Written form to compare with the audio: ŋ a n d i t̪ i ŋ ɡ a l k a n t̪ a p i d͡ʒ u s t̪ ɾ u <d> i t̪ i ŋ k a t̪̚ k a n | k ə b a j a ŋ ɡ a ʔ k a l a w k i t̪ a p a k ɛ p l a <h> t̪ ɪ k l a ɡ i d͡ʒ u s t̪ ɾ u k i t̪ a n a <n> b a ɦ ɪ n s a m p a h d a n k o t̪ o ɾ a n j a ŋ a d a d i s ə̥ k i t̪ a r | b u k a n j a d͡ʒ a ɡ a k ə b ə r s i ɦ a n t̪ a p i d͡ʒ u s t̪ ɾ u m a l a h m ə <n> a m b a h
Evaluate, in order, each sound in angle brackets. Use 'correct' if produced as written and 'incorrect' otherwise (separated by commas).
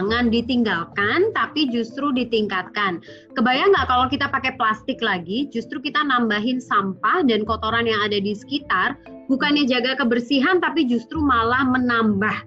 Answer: correct, incorrect, incorrect, correct